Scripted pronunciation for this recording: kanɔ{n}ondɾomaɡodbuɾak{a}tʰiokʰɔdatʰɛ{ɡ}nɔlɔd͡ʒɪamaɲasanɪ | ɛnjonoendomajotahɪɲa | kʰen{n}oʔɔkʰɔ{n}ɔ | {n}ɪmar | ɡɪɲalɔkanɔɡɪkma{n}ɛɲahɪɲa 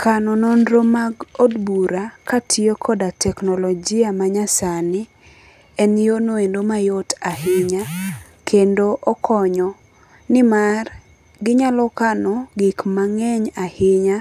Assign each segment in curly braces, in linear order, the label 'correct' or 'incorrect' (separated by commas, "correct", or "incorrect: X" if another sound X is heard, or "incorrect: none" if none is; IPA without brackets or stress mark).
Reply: correct, correct, incorrect: k, incorrect: d, incorrect: ɲ, correct, incorrect: ŋ